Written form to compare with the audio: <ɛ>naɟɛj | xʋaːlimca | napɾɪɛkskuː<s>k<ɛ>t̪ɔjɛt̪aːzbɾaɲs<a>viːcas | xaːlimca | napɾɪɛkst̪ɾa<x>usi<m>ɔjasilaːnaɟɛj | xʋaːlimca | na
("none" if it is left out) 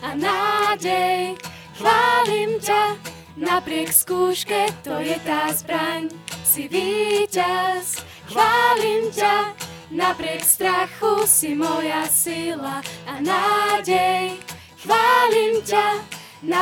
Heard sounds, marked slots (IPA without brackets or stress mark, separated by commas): a, ʃ, ɛ, i, x, m